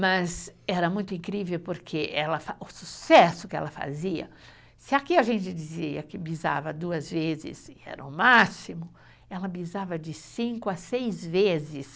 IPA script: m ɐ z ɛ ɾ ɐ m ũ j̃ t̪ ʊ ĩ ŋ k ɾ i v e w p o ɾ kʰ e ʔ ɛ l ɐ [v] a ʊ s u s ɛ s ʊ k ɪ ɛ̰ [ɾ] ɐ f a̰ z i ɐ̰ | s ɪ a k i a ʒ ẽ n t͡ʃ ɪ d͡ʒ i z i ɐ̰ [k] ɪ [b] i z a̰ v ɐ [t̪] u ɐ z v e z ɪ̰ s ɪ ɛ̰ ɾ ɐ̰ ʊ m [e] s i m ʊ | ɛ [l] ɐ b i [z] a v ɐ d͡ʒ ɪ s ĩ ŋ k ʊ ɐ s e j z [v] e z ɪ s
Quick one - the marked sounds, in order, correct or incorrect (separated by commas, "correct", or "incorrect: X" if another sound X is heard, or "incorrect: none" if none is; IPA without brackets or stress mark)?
incorrect: f, incorrect: l, correct, correct, incorrect: d̪, incorrect: a, correct, correct, correct